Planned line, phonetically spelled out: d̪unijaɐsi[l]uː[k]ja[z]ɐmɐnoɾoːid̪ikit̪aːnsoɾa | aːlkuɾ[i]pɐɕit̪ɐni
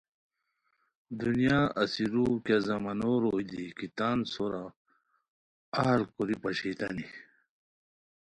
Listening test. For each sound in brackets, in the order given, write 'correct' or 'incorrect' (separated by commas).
incorrect, correct, correct, correct